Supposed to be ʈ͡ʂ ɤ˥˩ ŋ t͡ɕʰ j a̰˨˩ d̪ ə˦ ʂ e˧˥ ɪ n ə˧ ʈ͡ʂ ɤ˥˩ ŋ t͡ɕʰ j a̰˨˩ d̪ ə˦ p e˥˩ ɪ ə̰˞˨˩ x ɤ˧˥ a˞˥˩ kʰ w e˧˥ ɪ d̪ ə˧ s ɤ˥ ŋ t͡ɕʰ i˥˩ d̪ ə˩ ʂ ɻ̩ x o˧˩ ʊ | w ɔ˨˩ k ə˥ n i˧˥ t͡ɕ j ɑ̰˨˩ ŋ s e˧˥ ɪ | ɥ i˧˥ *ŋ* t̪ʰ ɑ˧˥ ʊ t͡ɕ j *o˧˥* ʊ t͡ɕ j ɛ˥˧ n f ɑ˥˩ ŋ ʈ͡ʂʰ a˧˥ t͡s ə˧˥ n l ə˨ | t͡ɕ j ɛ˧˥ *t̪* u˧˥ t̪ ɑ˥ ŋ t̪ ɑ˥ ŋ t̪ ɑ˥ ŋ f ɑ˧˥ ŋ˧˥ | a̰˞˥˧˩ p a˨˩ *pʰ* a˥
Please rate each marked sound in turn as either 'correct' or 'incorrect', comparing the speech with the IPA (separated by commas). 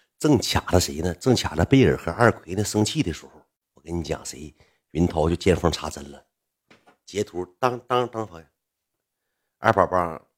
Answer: incorrect, incorrect, incorrect, incorrect